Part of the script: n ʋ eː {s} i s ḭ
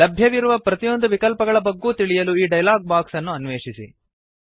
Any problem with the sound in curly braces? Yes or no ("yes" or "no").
yes